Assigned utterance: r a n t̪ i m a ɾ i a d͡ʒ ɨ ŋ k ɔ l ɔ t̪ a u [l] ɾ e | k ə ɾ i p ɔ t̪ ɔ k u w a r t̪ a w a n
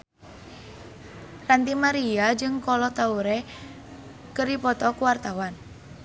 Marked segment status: incorrect: none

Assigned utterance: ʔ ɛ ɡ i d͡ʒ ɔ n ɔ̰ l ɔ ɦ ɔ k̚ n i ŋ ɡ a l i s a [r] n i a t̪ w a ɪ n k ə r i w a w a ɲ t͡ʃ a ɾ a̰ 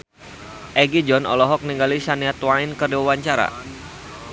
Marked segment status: incorrect: none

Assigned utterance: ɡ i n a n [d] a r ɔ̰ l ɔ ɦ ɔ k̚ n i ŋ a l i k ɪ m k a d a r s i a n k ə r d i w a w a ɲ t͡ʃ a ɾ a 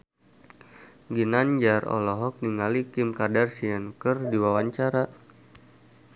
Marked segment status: incorrect: d͡ʒ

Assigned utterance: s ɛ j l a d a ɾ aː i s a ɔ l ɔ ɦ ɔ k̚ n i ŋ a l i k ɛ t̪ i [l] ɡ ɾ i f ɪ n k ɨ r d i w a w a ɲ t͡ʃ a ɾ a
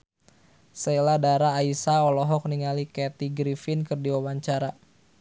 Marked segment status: incorrect: none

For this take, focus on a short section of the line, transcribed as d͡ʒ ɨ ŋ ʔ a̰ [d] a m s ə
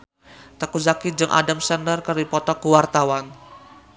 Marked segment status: correct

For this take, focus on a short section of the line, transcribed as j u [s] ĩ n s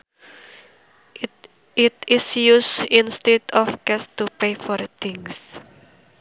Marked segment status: correct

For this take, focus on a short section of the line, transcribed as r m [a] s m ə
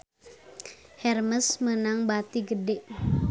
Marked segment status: incorrect: ə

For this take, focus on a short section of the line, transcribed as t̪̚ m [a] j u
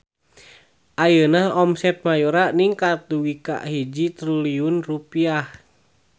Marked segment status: correct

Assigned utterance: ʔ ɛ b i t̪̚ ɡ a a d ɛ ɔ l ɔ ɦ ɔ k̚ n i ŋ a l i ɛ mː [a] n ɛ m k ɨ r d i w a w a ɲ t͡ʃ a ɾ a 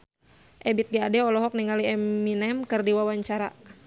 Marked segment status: incorrect: i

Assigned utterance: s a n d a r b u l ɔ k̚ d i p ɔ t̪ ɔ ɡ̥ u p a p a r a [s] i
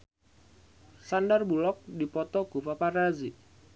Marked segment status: incorrect: z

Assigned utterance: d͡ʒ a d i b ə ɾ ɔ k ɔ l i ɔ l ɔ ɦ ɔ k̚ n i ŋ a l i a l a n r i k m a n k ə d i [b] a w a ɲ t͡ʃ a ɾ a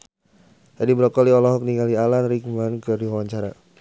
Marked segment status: incorrect: w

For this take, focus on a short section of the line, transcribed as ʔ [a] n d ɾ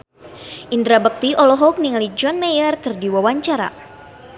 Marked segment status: incorrect: i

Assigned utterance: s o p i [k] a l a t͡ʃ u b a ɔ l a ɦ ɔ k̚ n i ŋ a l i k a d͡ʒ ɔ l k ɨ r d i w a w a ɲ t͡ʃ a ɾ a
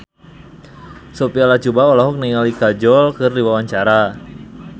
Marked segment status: incorrect: none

